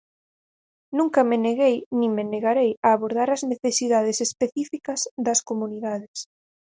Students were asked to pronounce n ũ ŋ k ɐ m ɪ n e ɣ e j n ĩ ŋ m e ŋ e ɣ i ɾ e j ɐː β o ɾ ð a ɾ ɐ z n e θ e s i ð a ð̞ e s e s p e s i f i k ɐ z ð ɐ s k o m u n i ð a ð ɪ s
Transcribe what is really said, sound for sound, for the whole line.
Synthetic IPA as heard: n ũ ŋ k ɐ m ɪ n e ɣ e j n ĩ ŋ m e n e ɣ a ɾ e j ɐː β o ɾ ð a ɾ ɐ z n e θ e s i ð a ð̞ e s e s p e θ i f i k ɐ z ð ɐ s k o m u n i ð a ð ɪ s

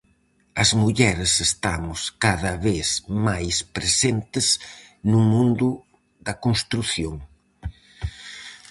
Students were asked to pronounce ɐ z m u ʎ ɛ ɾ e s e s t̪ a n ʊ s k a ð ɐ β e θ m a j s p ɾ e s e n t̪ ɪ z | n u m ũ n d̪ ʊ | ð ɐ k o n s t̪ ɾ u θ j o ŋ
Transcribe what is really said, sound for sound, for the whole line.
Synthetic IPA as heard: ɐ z m u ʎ ɛ ɾ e s e s t̪ a m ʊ s k a ð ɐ β e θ m a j s p ɾ e s e n t̪ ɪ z | n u m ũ n d̪ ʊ | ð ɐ k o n s t̪ ɾ u θ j o ŋ

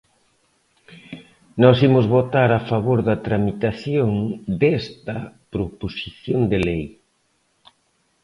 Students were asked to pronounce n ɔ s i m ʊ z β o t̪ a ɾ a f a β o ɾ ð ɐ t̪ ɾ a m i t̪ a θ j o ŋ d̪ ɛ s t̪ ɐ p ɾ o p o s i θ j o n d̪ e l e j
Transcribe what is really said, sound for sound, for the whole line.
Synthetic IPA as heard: n ɔ s i m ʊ z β o t̪ a ɾ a f a β o ɾ ð ɐ t̪ ɾ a m i t̪ a θ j o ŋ d̪ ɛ s t̪ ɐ p ɾ o p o s i θ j o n d̪ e l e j

